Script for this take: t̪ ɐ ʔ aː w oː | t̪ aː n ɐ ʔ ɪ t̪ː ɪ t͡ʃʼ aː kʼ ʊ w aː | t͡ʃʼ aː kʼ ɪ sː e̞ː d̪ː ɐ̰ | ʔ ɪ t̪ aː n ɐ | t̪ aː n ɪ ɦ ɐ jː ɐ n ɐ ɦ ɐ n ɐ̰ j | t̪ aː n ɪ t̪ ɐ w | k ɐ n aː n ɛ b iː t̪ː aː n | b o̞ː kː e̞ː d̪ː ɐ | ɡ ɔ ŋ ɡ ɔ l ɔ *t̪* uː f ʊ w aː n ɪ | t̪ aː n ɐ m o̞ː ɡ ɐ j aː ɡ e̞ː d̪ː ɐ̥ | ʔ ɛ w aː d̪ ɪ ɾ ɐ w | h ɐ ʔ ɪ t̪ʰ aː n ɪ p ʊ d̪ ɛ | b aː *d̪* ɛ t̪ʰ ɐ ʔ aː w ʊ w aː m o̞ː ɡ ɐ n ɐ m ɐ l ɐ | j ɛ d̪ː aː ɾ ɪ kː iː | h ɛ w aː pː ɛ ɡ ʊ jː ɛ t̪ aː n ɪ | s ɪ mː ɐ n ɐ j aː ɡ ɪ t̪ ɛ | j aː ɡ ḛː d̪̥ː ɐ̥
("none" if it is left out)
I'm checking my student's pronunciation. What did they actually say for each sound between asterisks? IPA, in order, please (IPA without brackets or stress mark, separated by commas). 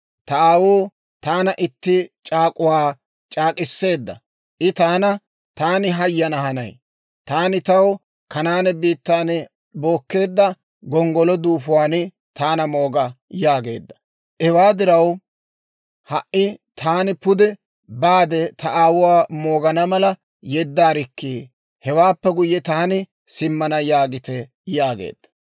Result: d̪, d̪